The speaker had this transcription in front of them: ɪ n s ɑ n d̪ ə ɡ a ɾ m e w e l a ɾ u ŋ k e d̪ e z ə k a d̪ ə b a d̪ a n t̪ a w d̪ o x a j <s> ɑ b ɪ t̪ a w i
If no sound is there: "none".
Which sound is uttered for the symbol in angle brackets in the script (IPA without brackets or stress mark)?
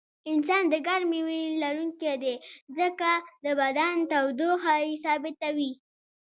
s